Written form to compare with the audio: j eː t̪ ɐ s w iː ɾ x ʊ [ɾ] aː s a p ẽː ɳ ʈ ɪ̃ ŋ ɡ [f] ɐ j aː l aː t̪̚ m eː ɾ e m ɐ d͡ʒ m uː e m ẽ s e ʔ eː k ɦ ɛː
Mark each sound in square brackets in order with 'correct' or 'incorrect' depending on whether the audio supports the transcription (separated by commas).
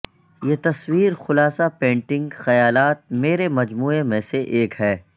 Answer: incorrect, incorrect